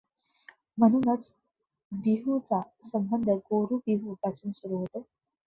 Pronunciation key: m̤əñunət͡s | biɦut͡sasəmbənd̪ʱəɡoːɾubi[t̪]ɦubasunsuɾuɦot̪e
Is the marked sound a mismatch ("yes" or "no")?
yes